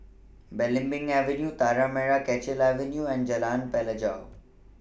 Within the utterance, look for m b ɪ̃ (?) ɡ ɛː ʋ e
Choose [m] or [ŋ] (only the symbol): ŋ